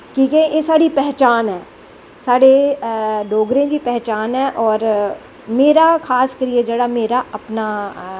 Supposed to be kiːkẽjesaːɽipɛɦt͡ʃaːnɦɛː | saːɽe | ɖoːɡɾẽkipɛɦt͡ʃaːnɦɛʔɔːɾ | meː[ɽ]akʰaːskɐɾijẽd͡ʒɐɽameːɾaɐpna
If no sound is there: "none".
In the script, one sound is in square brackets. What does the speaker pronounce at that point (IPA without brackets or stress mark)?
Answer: ɾ